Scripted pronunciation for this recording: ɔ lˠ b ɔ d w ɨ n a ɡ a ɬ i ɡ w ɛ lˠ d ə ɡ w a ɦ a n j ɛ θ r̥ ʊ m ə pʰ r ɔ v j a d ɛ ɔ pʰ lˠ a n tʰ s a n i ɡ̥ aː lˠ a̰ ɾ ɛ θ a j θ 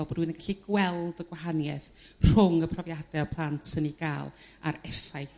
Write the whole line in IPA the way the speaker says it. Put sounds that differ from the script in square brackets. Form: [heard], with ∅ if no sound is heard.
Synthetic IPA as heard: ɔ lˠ b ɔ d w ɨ n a ɡ a ɬ i ɡ w ɛ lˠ d ə ɡ w a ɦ a n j ɛ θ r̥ ʊ [ŋ] ə pʰ r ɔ v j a d ɛ ɔ pʰ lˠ a n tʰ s [ə] n i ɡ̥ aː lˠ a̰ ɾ ɛ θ a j θ